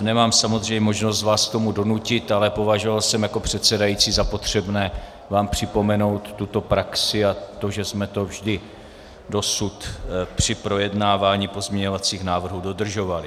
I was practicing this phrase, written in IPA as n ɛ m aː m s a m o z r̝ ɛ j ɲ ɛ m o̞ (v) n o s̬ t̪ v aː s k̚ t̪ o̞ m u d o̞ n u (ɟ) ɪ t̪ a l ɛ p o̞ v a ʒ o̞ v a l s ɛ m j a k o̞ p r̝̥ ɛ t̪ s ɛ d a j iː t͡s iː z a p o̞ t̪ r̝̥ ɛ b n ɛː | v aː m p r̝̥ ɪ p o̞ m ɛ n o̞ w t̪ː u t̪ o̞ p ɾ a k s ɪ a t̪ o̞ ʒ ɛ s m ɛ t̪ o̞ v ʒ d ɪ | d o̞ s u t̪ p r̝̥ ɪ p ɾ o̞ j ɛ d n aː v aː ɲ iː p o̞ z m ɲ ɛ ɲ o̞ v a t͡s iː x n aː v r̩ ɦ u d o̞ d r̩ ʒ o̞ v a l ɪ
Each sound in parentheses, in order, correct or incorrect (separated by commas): incorrect, incorrect